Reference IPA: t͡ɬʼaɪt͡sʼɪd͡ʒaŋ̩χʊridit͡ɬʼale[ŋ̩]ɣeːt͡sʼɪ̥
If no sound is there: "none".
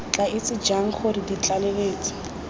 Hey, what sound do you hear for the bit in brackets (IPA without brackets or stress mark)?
none